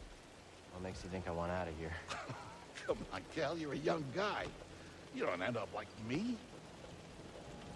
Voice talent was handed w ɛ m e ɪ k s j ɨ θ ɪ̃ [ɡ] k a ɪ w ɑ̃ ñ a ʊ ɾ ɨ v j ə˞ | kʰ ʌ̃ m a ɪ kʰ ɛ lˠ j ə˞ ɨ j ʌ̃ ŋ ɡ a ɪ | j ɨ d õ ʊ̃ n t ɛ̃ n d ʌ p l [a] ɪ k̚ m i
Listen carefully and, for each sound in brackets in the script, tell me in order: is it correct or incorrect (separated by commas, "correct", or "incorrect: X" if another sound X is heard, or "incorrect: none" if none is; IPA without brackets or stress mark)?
incorrect: ŋ, correct